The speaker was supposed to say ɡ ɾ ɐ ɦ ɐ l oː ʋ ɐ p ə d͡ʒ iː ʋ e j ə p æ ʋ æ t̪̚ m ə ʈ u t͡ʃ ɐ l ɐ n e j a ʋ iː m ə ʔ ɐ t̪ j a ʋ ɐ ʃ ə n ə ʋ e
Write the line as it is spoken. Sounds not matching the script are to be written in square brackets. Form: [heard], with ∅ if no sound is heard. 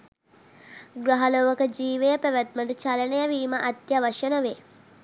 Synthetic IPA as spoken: ɡ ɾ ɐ ɦ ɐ l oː ʋ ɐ [k] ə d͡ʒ iː ʋ e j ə p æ ʋ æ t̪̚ m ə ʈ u t͡ʃ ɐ l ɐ n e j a ʋ iː m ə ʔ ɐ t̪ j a ʋ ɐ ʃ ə n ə ʋ e